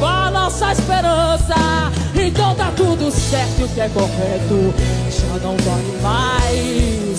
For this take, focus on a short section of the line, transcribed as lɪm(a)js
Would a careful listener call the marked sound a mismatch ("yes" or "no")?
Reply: no